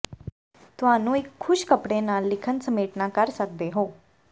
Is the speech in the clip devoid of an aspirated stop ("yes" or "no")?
no